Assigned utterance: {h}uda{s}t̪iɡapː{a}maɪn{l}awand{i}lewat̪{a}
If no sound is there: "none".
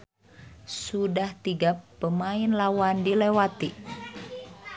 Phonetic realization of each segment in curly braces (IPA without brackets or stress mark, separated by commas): s, h, ə, l, i, i